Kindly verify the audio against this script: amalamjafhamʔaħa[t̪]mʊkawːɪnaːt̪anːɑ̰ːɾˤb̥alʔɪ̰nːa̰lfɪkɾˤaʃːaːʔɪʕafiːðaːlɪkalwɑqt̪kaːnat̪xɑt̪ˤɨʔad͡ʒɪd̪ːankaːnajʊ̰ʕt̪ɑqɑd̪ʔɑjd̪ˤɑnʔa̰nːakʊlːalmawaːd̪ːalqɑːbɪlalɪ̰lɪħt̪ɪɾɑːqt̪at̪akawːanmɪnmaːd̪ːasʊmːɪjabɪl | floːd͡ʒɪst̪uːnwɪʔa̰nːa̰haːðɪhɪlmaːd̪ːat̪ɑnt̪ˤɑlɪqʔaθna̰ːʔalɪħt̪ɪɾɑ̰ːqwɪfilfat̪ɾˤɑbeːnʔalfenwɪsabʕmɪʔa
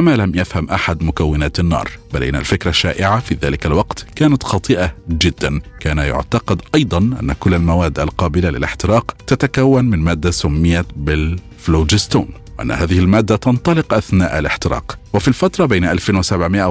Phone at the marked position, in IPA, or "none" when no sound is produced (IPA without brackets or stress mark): d̪